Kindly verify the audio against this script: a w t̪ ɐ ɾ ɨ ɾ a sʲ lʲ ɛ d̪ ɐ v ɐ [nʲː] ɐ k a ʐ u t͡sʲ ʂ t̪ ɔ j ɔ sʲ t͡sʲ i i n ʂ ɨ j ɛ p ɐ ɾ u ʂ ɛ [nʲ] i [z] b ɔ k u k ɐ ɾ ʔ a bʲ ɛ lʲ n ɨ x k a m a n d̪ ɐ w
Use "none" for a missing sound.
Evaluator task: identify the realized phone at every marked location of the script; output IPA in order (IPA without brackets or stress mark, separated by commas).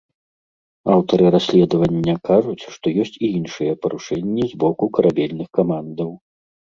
nʲː, nʲː, z